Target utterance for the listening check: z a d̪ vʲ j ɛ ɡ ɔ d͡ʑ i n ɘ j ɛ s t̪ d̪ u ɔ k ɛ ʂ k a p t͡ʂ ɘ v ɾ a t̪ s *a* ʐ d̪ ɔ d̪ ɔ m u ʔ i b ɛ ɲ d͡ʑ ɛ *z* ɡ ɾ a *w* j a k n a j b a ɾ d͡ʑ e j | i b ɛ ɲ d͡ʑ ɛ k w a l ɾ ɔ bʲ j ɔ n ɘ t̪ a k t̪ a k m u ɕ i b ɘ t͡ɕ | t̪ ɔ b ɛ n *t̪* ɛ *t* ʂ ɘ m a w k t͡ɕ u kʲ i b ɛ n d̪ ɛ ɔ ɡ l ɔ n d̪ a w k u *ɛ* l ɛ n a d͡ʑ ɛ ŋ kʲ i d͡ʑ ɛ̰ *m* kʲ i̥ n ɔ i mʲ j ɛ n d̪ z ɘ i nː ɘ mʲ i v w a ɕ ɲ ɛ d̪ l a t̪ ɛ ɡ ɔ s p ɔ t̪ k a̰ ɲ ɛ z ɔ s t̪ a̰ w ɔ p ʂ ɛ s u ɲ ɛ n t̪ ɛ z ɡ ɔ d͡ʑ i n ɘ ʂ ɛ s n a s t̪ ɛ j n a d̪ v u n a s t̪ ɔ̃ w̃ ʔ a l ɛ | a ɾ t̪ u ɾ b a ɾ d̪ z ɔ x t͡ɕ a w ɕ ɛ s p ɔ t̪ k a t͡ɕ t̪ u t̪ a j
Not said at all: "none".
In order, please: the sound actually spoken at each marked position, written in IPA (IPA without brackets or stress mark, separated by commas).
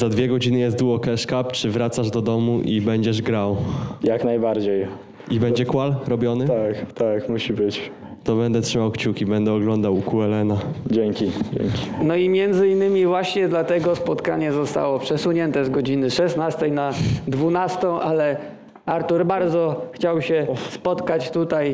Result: a, ʐ, w, d̪, t, ɛ, ŋ